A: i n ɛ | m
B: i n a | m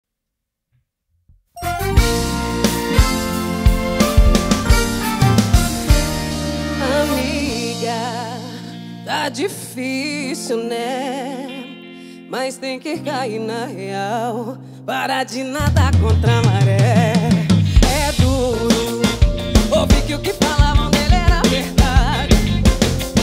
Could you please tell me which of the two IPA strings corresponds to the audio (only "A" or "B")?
A